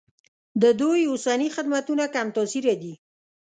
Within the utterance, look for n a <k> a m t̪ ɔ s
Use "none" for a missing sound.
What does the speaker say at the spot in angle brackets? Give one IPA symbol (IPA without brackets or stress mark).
k